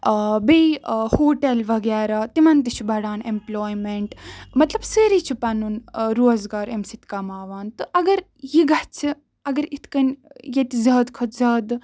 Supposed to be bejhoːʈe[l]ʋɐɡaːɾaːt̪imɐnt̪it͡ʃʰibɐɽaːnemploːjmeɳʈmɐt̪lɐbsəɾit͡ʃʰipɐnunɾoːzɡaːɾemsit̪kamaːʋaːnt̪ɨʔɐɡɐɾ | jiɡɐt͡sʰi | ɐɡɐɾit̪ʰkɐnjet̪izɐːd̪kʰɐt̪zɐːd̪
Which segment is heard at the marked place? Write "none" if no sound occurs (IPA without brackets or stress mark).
l